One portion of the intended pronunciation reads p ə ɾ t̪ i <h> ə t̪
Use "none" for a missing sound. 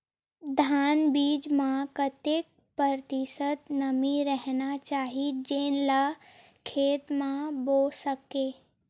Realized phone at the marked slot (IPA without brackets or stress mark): s